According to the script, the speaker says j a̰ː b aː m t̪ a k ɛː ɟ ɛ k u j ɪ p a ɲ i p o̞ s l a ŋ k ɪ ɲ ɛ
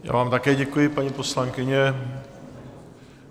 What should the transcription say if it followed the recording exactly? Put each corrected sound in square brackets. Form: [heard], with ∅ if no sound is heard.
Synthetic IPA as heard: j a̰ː [v] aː m t̪ a k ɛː ɟ ɛ k u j ɪ p a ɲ i p o̞ s l a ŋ k ɪ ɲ ɛ

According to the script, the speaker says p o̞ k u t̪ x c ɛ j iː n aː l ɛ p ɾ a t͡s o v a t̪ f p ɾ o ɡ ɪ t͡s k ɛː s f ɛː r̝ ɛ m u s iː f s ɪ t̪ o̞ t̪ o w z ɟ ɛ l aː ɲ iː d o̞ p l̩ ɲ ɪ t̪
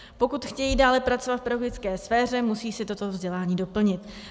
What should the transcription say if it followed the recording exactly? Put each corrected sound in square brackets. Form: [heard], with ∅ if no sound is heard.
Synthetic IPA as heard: p o̞ k u t̪ x c ɛ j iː [d] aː l ɛ p ɾ a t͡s o v a t̪ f p ɾ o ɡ ɪ t͡s k ɛː s f ɛː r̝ ɛ m u s iː [∅] s ɪ t̪ o̞ t̪ o [v] z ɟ ɛ l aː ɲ iː d o̞ p l̩ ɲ ɪ t̪

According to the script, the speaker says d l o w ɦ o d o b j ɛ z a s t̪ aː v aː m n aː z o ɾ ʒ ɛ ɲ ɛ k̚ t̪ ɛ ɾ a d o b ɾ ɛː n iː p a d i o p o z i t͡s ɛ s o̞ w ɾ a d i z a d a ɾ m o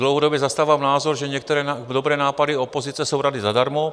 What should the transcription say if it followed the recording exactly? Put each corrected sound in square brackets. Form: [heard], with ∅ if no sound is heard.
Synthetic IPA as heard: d l o w ɦ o d o b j ɛ z a s t̪ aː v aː m n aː z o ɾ ʒ ɛ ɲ ɛ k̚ t̪ ɛ ɾ [ɛ] d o b ɾ ɛː n [aː] p a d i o p o z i t͡s ɛ s o̞ w ɾ a d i z a d a ɾ m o

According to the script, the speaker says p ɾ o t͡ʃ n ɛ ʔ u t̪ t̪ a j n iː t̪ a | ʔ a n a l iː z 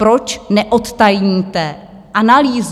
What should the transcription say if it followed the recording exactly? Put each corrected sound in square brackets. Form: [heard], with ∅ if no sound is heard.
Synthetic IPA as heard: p ɾ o t͡ʃ n ɛ ʔ [o] t̪ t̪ a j [ɲ] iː t̪ [ɛ] | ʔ a n a l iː z

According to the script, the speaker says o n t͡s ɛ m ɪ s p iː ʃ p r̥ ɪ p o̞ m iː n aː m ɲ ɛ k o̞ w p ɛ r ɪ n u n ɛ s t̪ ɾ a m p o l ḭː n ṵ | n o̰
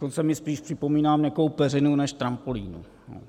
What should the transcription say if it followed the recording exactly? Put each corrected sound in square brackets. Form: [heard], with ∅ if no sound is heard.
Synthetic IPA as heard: o n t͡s ɛ m ɪ s p iː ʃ p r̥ ɪ p o̞ m iː n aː m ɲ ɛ k o̞ w p ɛ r ɪ n u n ɛ [ʃ] t̪ ɾ a m p o l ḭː n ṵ | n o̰

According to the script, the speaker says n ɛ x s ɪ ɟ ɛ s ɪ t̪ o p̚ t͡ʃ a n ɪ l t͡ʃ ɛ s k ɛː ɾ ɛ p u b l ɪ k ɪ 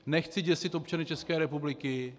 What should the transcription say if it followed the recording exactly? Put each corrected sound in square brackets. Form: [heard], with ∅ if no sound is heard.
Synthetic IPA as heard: n ɛ x [t͡s] ɪ ɟ ɛ s ɪ t̪ o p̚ t͡ʃ a n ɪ [∅] t͡ʃ ɛ s k ɛː ɾ ɛ p u b l ɪ k ɪ

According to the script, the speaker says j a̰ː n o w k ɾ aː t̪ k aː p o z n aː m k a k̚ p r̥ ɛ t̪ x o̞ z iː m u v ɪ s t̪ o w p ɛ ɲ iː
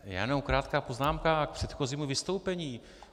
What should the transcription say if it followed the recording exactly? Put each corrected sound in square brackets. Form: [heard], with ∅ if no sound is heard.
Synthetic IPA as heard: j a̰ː n o w k ɾ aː t̪ k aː p o z n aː m k a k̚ p r̥ ɛ t̪ x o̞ z iː m u v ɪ s t̪ o w p ɛ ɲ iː

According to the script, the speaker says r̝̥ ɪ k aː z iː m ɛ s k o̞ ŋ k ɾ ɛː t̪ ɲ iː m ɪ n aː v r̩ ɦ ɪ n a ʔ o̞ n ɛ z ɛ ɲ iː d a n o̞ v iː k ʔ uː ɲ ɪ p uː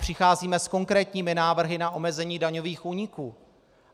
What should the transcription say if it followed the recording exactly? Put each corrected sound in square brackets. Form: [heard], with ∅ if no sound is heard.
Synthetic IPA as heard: r̝̥ ɪ [x] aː z iː m ɛ s k o̞ ŋ k ɾ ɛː t̪ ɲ iː m ɪ n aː v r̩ ɦ ɪ n a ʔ o̞ [m] ɛ z ɛ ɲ iː d a [ɲ] o̞ v iː [x] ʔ uː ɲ ɪ [k] uː

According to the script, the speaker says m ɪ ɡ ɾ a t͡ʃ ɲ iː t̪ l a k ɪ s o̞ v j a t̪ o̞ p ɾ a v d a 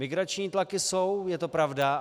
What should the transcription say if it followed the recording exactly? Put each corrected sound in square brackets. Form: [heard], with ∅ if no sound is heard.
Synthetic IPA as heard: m ɪ ɡ ɾ a t͡ʃ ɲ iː t̪ l a k ɪ s o̞ [w] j [ɛ] t̪ o̞ p ɾ a v d a

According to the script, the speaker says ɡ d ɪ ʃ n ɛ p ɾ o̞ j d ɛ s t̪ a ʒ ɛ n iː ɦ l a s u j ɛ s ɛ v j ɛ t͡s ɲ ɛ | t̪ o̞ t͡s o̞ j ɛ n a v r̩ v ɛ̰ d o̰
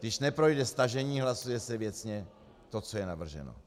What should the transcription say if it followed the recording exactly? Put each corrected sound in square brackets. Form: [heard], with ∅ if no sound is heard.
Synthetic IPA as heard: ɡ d ɪ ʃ n ɛ p ɾ o̞ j d ɛ s t̪ a ʒ ɛ [ɲ] iː ɦ l a s u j ɛ s ɛ v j ɛ t͡s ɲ ɛ | t̪ o̞ t͡s o̞ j ɛ n a v r̩ [ʒ] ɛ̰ [n] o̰

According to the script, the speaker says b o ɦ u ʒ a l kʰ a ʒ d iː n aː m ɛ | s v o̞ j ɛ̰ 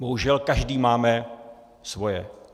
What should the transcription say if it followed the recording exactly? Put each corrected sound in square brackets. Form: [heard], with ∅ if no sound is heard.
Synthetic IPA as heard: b o ɦ u ʒ [ɛ] l [k] a ʒ d iː [m] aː m ɛ | s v o̞ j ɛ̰

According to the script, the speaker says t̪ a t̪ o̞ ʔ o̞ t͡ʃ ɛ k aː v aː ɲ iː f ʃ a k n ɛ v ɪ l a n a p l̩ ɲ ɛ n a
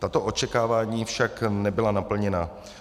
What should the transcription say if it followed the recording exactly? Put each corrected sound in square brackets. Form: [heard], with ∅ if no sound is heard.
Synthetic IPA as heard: t̪ a t̪ o̞ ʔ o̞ t͡ʃ ɛ k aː v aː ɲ iː f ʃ a k n ɛ [b] ɪ l a n a p l̩ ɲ ɛ n a

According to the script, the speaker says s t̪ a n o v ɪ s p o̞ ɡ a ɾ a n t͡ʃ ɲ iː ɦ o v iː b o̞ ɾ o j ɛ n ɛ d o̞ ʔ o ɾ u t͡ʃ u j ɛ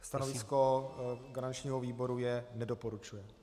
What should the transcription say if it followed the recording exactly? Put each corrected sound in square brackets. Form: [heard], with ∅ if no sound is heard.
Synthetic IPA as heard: s t̪ a n o v ɪ s [k] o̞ ɡ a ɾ a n t͡ʃ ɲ iː ɦ o v iː b o̞ ɾ [u] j ɛ n ɛ d o̞ [p] o ɾ u t͡ʃ u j ɛ

